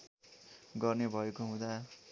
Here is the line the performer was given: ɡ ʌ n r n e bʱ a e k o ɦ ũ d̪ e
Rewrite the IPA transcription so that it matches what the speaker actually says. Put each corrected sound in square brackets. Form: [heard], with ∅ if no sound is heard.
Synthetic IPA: ɡ ʌ [∅] r n e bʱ [ʌ] e k o ɦ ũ d̪ [a]